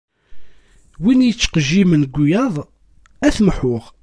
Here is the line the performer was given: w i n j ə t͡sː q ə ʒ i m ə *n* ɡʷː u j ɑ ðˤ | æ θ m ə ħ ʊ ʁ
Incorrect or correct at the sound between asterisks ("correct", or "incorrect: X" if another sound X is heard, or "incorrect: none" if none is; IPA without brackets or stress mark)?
correct